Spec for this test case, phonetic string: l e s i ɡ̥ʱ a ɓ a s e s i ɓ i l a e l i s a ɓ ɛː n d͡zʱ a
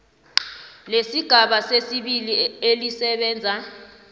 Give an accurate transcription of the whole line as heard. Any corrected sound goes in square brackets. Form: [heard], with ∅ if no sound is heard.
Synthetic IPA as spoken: l e s i ɡ̥ʱ a ɓ a s e s i ɓ i l [i] e l i s [ɛ] ɓ ɛː n d͡zʱ a

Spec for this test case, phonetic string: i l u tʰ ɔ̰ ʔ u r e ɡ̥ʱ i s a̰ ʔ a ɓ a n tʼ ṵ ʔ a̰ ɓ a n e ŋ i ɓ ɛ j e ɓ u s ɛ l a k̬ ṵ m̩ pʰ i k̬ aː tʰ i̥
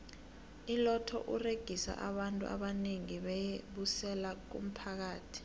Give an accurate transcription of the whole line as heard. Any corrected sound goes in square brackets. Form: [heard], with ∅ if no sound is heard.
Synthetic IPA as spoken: i l [ɔ] tʰ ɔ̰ ʔ u r e ɡ̥ʱ i s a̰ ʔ a ɓ a n tʼ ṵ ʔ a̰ ɓ a n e ŋ i ɓ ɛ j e ɓ u s ɛ l a k̬ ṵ m̩ pʰ [a] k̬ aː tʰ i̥

